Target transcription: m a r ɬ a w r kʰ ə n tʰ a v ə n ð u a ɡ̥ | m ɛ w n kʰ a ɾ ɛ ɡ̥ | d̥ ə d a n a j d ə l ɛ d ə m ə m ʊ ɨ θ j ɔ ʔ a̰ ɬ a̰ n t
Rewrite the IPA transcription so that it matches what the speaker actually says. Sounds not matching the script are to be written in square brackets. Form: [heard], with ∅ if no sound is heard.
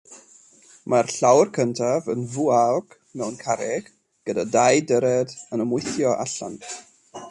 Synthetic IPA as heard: m a r ɬ a w r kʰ ə n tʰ a v ə n [v] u a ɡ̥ | m ɛ w n kʰ a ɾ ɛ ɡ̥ | [ɡ̥] ə d a [d] a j d ə [ɾ] ɛ d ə [n] ə m ʊ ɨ θ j ɔ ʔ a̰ ɬ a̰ n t